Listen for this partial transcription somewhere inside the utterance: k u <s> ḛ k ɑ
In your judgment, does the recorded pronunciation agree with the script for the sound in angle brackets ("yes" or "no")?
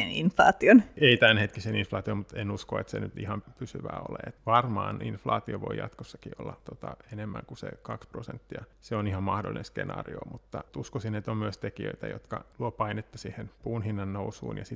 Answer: yes